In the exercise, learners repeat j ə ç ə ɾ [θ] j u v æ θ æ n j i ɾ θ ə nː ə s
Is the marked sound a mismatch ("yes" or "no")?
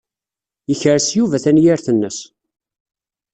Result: yes